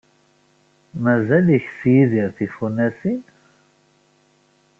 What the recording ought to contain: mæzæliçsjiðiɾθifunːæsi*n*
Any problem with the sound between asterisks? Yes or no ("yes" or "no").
no